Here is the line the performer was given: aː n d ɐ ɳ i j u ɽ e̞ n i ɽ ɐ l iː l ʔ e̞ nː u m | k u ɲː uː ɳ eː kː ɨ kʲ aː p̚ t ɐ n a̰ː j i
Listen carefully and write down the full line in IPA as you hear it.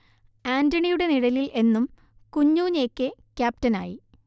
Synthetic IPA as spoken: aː n d ɐ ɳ i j u ɽ e̞ n i ɽ ɐ l i l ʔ e̞ nː u m | k u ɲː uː ɲ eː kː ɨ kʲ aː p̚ t ɐ n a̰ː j i